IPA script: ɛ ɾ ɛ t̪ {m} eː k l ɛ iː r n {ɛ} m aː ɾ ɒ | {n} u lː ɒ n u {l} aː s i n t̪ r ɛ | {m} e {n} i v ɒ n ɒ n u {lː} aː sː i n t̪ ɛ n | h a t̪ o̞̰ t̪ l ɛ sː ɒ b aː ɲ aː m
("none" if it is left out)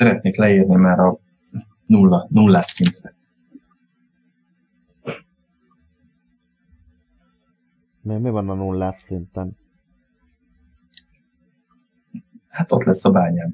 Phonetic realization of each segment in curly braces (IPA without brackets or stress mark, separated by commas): n, i, n, lː, m, m, lː